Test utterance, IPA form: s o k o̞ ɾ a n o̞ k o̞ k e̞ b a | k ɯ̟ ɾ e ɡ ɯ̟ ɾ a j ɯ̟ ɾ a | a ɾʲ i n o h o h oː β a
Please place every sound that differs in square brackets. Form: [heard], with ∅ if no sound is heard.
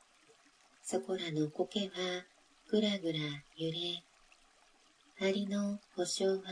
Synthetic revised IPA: s o k o̞ ɾ a n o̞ k o̞ k e̞ [β] a | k ɯ̟ ɾ [a] ɡ ɯ̟ ɾ a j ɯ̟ ɾ [e] | a ɾʲ i n o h o [ɕ] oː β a